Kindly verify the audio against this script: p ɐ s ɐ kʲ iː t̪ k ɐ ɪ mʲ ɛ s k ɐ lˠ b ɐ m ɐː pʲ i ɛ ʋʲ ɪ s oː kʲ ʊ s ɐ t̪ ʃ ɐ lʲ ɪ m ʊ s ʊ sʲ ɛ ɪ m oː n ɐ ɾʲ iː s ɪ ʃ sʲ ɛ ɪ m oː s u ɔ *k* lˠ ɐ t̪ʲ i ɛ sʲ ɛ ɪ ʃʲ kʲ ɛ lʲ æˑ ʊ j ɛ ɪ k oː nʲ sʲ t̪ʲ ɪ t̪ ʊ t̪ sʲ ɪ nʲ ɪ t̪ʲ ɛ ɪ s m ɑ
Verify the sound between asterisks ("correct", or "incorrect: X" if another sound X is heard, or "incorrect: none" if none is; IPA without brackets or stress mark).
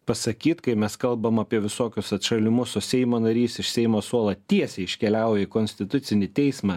incorrect: none